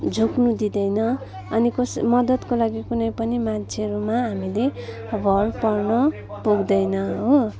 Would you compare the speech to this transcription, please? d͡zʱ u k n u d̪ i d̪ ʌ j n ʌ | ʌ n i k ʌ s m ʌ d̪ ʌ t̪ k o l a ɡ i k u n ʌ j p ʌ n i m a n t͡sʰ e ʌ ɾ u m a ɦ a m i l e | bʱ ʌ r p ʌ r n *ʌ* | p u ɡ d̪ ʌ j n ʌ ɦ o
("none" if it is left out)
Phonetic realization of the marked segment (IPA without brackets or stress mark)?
ʌ